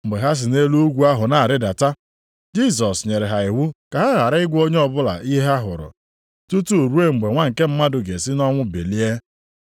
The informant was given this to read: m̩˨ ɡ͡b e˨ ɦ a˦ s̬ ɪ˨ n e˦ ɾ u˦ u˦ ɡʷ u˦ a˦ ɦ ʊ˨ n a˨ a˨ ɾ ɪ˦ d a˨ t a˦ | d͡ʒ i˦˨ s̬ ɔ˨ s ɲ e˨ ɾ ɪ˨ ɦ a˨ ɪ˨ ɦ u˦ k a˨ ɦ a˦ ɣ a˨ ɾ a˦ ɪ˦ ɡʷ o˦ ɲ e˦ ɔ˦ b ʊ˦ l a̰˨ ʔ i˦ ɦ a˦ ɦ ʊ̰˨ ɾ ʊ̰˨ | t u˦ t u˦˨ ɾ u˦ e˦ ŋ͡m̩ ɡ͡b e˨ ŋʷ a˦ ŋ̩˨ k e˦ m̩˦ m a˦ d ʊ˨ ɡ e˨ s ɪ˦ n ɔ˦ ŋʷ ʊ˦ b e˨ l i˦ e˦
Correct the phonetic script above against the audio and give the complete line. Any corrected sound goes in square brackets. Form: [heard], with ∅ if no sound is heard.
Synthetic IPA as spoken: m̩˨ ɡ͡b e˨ ɦ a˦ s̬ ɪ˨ n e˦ [l] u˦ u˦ ɡʷ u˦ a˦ ɦ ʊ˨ n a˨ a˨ ɾ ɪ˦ d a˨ t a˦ | d͡ʒ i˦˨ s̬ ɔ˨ s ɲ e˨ ɾ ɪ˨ ɦ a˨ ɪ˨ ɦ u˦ k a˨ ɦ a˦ ɣ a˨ ɾ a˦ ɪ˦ ɡʷ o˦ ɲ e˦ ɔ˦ b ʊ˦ l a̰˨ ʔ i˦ ɦ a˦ ɦ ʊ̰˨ ɾ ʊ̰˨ | t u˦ t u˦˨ ɾ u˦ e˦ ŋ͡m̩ ɡ͡b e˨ ŋʷ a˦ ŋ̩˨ k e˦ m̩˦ m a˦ d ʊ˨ ɡ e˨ s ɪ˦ n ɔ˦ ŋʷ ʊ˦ b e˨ l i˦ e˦